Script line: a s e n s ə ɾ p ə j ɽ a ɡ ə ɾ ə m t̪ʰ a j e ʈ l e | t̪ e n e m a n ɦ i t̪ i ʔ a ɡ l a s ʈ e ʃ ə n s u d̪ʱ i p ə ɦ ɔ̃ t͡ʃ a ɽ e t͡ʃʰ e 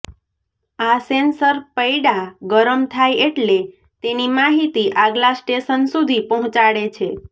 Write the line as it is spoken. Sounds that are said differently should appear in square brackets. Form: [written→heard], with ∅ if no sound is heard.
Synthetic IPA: a s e n s ə ɾ p ə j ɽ a ɡ ə ɾ ə m t̪ʰ a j e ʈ l e | t̪ e n [e→i] m a [n→∅] ɦ i t̪ i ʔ a ɡ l a s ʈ e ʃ ə n s u d̪ʱ i p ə ɦ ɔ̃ t͡ʃ a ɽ e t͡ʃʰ e